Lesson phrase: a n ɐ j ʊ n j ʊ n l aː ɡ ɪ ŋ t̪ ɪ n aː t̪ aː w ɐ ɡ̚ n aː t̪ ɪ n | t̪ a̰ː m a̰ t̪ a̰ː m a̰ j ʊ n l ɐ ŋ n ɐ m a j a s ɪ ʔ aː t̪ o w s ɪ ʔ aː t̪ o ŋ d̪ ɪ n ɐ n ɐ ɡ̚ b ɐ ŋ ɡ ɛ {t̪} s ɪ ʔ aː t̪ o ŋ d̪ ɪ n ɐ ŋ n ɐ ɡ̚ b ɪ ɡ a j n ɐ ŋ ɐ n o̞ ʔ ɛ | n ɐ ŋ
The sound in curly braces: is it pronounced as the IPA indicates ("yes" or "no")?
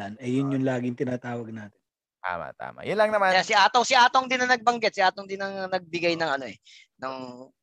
yes